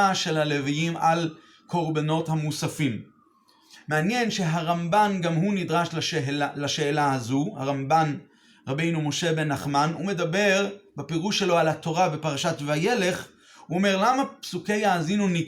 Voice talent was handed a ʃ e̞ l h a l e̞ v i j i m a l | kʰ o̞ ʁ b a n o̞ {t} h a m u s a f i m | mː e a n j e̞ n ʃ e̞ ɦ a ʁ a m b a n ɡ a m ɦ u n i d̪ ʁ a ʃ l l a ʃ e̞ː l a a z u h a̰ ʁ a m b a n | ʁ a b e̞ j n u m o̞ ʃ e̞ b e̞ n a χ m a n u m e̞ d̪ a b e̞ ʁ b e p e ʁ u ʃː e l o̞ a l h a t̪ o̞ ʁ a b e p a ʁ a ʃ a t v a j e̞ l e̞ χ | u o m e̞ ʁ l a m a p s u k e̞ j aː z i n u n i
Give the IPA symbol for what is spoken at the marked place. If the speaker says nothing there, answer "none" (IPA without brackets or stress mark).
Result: t